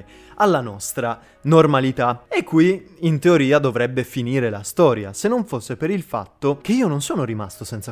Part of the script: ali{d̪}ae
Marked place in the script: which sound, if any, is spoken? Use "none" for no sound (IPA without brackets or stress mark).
t̪